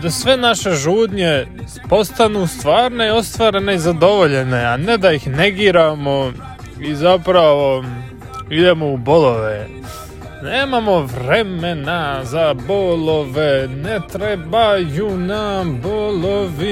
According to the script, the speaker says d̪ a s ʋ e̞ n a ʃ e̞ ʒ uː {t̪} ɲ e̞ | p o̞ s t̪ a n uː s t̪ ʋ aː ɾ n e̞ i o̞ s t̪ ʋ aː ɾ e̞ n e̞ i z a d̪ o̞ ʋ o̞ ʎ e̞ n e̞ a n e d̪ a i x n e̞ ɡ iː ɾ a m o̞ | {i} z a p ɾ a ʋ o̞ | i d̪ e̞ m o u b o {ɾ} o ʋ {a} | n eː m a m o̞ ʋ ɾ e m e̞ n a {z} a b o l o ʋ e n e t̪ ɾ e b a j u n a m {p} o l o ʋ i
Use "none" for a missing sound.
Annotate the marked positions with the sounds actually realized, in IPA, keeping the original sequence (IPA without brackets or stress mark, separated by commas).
d̪, i, l, e, z, b